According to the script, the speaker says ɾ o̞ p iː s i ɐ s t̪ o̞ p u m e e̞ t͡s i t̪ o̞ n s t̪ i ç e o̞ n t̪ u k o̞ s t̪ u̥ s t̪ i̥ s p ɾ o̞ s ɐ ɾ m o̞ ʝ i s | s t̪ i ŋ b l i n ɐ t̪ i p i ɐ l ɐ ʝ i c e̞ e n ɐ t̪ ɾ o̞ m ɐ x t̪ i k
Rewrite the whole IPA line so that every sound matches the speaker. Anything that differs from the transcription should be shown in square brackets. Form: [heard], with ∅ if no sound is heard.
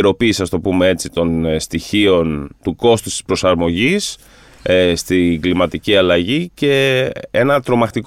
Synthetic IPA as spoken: ɾ o̞ p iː s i ɐ s t̪ o̞ p u m e e̞ t͡s i t̪ o̞ n s t̪ i ç [i] o̞ n t̪ u k o̞ s t̪ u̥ s t̪ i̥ s p ɾ o̞ s ɐ ɾ m o̞ ʝ i s | s t̪ i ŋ [ɡ] l i [m] ɐ t̪ i [c] i ɐ l ɐ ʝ i c e̞ e n ɐ t̪ ɾ o̞ m ɐ x t̪ i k